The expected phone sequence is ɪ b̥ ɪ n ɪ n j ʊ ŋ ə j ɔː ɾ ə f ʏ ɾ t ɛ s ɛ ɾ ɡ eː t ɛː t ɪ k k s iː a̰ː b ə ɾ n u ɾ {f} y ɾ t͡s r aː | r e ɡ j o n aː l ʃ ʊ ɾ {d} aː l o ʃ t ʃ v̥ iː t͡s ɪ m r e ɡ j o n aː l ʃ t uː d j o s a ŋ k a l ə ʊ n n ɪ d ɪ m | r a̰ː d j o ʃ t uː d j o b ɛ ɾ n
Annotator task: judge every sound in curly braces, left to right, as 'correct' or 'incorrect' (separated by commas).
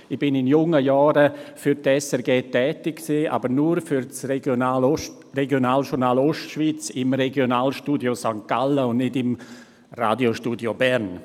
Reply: correct, incorrect